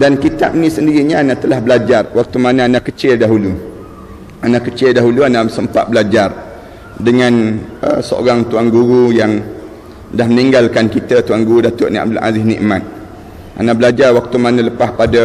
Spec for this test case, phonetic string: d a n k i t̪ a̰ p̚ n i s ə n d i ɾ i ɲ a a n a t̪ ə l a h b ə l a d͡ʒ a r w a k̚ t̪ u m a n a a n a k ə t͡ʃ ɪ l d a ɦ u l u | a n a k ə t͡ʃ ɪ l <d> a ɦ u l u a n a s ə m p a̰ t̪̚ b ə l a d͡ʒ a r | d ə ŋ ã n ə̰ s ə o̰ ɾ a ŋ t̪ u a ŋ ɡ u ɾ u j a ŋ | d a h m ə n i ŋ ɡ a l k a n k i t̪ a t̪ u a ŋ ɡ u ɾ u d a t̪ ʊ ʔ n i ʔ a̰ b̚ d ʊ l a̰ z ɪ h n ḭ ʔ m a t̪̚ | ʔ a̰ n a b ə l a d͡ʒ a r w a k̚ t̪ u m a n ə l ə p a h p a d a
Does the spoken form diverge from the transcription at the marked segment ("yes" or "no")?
no